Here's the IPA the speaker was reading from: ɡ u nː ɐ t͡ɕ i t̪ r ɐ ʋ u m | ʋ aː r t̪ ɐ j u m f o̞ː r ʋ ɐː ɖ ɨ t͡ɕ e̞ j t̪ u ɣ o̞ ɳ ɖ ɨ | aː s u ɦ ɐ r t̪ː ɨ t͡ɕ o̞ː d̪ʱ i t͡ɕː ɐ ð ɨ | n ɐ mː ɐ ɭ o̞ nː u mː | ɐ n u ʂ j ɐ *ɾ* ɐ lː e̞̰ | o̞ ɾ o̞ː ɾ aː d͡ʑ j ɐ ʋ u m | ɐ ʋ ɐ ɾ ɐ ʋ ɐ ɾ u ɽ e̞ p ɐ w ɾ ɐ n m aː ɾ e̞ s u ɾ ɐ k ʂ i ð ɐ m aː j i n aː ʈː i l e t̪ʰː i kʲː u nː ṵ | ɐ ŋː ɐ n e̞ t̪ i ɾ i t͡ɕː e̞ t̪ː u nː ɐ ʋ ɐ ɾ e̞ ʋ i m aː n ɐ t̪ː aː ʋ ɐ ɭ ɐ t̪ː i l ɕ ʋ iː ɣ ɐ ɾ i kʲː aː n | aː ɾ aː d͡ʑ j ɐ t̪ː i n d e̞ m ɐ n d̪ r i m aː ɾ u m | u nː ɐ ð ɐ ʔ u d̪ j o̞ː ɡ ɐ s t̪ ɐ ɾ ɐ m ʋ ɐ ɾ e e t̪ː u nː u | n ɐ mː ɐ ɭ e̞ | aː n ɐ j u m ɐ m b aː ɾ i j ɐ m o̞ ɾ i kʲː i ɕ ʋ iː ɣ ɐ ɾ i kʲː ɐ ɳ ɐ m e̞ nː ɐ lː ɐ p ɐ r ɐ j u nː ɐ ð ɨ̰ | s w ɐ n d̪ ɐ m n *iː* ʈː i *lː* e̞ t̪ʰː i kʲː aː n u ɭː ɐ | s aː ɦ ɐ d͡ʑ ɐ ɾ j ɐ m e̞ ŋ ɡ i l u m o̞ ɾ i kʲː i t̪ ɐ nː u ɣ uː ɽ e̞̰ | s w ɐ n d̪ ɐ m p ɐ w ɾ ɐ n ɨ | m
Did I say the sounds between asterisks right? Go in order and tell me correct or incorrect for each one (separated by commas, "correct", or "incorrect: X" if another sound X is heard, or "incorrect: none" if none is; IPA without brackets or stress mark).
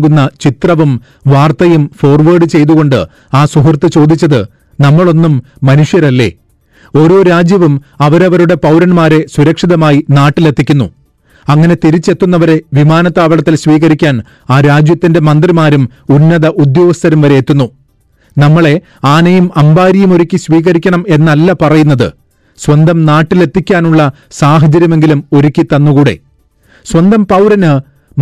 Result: correct, incorrect: aː, incorrect: l